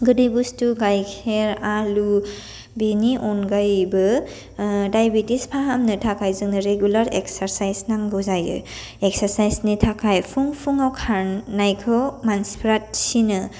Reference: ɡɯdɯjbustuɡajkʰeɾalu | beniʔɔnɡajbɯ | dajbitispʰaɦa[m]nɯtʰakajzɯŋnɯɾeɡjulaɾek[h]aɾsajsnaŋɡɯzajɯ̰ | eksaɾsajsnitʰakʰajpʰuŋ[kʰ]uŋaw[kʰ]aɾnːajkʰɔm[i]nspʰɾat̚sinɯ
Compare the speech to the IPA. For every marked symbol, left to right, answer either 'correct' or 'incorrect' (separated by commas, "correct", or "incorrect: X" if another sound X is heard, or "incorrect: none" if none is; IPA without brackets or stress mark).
correct, incorrect: s, incorrect: pʰ, correct, incorrect: a